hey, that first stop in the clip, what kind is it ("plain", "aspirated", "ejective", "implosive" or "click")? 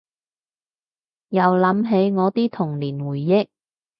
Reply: plain